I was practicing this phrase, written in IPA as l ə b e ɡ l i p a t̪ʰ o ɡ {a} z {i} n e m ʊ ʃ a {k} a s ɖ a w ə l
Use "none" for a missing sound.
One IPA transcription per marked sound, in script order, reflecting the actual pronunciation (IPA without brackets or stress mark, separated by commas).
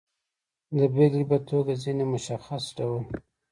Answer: a, i, x